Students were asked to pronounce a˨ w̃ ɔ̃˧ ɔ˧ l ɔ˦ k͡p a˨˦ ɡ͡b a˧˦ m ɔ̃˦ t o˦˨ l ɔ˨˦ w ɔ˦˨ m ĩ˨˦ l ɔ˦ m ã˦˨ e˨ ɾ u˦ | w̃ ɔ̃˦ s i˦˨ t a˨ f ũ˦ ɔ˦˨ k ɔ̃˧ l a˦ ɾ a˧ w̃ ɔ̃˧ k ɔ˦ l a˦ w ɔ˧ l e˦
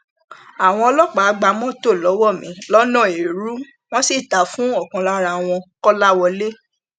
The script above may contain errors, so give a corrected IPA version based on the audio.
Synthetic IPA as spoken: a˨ w̃ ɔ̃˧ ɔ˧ l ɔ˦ k͡p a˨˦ ɡ͡b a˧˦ m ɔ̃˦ t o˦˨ l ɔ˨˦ w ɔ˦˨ m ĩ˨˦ l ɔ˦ n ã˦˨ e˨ ɾ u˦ | w̃ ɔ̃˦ s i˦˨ t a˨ f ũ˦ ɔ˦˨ k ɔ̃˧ l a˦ ɾ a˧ w̃ ɔ̃˧ k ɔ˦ l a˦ w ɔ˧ l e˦